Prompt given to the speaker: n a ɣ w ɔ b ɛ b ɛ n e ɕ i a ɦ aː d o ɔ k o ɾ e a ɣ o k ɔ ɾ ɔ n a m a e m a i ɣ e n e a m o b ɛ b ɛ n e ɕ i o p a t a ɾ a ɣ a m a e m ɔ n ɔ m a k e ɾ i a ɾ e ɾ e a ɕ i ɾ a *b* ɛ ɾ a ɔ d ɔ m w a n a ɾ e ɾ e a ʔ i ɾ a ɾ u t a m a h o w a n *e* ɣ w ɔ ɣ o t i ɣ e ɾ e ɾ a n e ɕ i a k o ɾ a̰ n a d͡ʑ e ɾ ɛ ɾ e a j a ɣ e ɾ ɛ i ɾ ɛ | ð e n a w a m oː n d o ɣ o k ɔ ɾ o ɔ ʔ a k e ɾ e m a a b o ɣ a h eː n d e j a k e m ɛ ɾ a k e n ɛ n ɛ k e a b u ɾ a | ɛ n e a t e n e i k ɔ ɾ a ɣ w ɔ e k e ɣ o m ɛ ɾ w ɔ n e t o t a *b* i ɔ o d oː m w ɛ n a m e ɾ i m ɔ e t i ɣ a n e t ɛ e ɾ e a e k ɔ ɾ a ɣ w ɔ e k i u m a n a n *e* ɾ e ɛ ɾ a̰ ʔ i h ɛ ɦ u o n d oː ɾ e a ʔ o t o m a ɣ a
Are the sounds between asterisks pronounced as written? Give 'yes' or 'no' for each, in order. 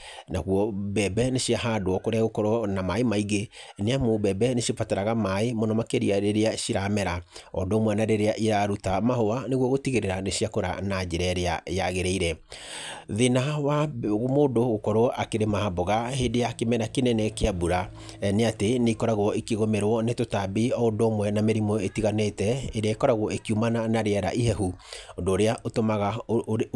no, yes, yes, no

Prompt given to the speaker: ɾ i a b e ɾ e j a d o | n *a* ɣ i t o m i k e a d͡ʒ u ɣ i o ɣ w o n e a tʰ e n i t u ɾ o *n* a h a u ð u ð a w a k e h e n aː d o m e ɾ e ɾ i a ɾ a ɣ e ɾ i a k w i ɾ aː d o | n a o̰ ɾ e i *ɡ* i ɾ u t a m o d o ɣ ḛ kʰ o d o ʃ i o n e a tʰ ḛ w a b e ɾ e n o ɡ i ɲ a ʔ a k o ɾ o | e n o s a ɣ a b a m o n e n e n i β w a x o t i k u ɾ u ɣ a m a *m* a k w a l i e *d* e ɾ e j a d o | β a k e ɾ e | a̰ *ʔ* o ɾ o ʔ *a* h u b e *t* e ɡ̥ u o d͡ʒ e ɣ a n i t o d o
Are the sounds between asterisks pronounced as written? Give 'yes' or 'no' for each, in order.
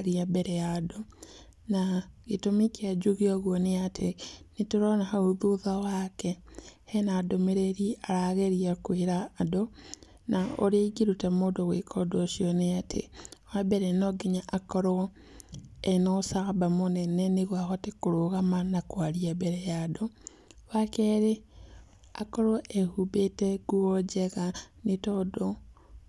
yes, yes, yes, no, no, no, no, yes

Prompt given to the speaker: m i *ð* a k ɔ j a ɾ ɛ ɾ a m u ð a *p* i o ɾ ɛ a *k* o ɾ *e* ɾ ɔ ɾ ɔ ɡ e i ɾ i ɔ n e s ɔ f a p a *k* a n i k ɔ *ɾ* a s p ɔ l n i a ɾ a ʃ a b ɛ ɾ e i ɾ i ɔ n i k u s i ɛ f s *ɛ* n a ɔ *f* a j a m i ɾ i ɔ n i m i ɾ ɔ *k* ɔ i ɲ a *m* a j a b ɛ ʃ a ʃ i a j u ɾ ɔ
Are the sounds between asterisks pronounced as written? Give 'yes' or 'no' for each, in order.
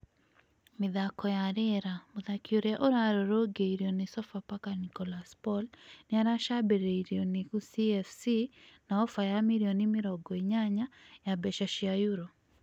yes, no, no, no, yes, no, no, yes, no, no

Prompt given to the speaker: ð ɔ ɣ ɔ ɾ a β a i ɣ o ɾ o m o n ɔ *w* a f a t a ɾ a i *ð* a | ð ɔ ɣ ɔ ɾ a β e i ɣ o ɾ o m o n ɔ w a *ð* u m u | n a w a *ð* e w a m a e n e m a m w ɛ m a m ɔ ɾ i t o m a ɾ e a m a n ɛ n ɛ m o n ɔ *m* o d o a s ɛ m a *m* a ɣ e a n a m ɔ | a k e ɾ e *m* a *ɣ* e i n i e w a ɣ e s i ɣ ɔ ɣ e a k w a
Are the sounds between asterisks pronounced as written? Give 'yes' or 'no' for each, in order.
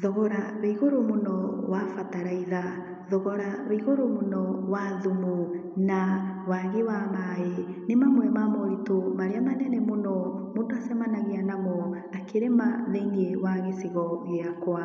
yes, yes, yes, no, yes, no, yes, no

